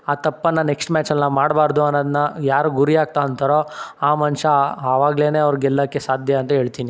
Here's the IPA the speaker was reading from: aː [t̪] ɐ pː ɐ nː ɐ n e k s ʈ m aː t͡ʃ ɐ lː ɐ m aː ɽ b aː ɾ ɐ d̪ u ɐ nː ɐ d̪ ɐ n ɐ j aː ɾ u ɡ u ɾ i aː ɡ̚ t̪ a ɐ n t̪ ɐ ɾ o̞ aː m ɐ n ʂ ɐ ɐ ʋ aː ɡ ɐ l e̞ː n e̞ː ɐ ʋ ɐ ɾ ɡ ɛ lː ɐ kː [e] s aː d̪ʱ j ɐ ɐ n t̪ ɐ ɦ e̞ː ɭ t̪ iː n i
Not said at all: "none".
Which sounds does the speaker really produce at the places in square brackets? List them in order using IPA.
t̪, e

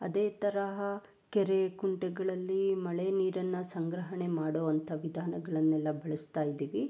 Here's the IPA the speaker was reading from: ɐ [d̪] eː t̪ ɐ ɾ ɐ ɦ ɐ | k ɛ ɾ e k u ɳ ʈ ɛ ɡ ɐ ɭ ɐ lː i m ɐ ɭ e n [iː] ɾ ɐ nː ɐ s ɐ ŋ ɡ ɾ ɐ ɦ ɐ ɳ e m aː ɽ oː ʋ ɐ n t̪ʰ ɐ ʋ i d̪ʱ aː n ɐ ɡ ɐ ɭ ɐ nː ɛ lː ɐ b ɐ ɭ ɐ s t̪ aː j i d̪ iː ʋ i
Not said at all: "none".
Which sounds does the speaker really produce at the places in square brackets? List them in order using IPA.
d̪, iː

